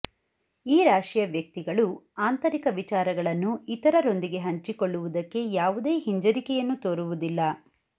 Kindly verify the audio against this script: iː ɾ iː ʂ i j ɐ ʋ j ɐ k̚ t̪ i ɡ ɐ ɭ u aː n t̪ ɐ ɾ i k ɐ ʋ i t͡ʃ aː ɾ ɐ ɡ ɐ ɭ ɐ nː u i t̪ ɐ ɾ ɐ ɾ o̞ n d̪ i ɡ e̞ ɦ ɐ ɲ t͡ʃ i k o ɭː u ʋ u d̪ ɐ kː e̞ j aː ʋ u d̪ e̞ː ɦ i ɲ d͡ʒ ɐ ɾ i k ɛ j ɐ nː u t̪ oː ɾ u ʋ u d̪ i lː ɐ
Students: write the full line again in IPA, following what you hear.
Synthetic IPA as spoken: iː ɾ aː ʂ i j ɐ ʋ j ɐ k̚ t̪ i ɡ ɐ ɭ u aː n t̪ ɐ ɾ i k ɐ ʋ i t͡ʃ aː ɾ ɐ ɡ ɐ ɭ ɐ nː u i t̪ ɐ ɾ ɐ ɾ o̞ n d̪ i ɡ e̞ ɦ ɐ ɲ t͡ʃ i k o ɭː u ʋ u d̪ ɐ kː e̞ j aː ʋ u d̪ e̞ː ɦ i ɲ d͡ʒ ɐ ɾ i k ɛ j ɐ nː u t̪ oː ɾ u ʋ u d̪ i lː ɐ